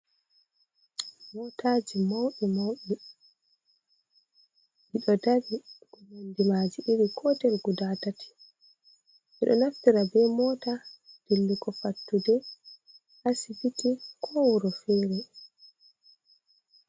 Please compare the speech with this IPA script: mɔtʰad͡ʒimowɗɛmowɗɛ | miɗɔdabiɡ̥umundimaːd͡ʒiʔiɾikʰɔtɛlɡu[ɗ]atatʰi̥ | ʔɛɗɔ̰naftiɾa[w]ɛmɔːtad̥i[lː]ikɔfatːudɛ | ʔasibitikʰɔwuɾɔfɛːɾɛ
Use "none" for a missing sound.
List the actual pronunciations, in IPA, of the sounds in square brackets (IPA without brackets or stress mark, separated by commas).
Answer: d, b, lː